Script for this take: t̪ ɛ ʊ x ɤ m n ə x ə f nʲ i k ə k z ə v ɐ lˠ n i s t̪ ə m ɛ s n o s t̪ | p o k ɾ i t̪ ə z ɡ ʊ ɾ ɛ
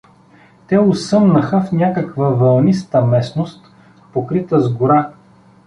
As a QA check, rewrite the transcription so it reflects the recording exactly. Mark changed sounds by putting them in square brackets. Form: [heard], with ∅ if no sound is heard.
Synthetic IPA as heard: t̪ ɛ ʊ [s] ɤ m n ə x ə f nʲ [a] k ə k [v] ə v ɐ lˠ n i s t̪ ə m ɛ s n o s t̪ | p o k ɾ i t̪ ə z ɡ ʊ ɾ [a]